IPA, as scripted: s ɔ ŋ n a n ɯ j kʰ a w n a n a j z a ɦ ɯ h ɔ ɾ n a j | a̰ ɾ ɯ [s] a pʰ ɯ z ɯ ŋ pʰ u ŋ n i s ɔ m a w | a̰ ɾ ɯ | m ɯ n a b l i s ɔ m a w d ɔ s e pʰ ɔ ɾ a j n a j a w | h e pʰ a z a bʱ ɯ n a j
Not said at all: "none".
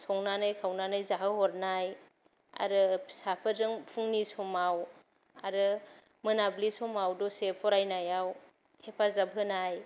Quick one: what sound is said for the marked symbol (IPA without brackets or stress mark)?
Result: s